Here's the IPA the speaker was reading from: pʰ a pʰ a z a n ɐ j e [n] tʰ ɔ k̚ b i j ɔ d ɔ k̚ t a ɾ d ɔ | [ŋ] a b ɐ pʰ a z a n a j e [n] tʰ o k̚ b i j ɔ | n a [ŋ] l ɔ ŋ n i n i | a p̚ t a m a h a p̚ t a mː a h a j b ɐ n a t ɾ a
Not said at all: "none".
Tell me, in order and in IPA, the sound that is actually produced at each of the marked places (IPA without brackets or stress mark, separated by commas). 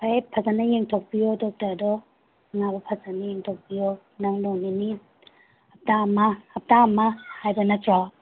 ŋ, ŋ, ŋ, ŋ